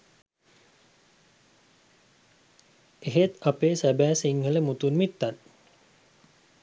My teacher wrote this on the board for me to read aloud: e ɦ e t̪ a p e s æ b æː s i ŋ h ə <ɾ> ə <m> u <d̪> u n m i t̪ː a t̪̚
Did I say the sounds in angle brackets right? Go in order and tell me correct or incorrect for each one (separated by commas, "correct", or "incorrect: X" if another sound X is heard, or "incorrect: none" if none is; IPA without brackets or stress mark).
incorrect: l, correct, incorrect: t̪